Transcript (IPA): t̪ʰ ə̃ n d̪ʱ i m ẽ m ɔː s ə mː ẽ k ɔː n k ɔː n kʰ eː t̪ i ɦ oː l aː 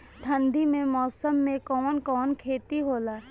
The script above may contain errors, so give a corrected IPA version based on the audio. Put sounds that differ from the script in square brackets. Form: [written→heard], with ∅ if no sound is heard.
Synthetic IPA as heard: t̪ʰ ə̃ n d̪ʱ i m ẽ m ɔː s ə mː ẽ k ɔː n k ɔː n kʰ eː t̪ i ɦ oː l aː